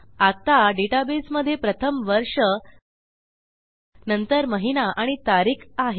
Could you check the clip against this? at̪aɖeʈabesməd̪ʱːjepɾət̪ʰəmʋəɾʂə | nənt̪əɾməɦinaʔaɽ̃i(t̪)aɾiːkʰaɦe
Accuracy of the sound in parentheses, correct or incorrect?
correct